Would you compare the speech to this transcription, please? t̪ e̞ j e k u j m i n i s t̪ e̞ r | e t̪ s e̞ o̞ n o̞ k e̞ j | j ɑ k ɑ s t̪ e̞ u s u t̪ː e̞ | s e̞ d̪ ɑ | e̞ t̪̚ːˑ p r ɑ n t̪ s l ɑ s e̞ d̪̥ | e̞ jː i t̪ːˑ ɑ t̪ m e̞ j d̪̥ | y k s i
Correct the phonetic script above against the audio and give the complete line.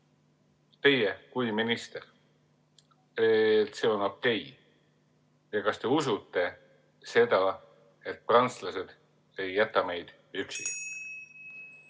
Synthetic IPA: t̪ e̞ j e k u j m i n i s t̪ e̞ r | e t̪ s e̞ o̞ n o̞ k e̞ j | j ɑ k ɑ s t̪ e̞ u s u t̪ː e̞ | s e̞ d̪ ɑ | e̞ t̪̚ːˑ p r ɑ n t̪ s l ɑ s e̞ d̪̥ | e̞ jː æ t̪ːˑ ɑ m e̞ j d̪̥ | y k s i